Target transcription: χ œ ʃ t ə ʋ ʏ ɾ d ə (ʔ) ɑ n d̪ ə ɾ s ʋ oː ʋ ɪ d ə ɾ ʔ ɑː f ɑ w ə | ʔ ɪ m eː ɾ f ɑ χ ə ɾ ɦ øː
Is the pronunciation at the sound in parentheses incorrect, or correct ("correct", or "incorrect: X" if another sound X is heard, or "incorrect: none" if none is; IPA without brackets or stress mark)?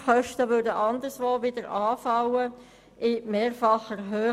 correct